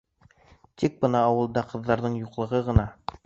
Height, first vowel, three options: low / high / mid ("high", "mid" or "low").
high